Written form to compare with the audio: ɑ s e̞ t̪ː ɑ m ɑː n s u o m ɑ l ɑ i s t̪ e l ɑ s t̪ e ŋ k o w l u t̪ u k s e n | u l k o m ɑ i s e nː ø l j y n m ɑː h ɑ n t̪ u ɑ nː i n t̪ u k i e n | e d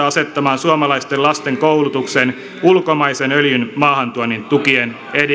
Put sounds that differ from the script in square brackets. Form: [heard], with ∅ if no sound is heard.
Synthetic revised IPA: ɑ s e̞ t̪ː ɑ m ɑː n s u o m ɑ l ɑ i s t̪ e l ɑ s t̪ e ŋ k o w l u t̪ u k s e n | u l k o m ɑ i s e [n] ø l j y n m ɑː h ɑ n t̪ u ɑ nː i n t̪ u k i e n | e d